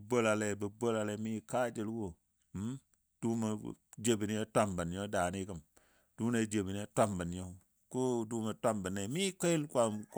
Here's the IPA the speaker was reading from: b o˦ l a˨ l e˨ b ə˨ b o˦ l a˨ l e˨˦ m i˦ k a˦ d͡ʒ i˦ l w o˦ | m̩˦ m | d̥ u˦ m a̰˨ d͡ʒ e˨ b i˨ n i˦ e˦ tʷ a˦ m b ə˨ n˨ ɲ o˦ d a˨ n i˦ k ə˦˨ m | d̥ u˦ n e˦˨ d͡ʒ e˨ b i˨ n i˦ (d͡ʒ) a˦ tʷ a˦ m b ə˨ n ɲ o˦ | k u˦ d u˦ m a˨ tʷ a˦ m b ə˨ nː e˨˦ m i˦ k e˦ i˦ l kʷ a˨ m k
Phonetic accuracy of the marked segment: incorrect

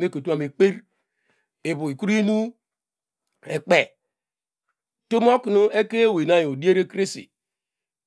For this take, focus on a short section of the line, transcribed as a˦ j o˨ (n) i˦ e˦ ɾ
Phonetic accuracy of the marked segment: incorrect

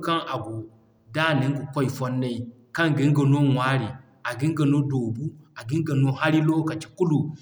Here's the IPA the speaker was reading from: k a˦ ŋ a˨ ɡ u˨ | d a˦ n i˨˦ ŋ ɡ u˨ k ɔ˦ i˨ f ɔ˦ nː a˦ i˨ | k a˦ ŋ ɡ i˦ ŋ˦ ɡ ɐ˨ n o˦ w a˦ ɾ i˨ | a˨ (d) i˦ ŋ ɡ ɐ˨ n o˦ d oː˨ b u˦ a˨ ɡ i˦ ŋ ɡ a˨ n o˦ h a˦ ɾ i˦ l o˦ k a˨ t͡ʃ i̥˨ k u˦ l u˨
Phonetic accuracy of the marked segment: incorrect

